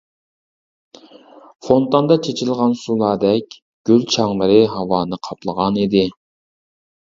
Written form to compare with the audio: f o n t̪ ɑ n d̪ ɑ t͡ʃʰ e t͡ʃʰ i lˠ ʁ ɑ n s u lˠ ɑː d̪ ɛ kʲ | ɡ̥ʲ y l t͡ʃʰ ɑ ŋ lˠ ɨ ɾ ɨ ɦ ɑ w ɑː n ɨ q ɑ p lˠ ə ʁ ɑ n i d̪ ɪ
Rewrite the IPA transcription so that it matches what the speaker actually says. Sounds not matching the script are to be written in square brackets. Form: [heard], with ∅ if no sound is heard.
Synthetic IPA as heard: f o n t̪ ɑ n d̪ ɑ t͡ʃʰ e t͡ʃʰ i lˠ ʁ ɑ n s u lˠ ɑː d̪ ɛ kʲ | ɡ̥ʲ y l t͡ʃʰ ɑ ŋ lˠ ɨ ɾ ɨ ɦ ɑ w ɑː n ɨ [qʰ] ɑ p lˠ ə ʁ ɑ n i d̪ ɪ